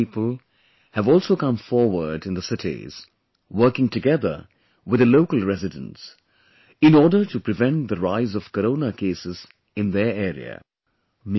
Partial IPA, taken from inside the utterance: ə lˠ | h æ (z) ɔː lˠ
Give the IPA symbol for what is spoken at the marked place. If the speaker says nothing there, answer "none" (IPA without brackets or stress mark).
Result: v